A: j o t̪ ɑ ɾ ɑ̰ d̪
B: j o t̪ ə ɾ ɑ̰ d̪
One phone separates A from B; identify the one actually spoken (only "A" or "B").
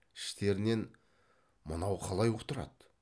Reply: B